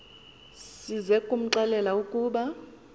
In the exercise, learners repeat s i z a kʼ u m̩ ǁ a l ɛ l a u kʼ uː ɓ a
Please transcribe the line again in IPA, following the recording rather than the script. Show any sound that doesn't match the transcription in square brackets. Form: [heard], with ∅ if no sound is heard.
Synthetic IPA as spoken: s i z [ɛ] kʼ u m̩ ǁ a l ɛ l a u kʼ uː ɓ a